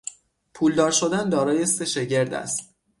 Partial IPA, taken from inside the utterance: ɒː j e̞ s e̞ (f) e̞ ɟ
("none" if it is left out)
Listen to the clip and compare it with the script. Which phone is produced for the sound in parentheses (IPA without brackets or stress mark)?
ʃ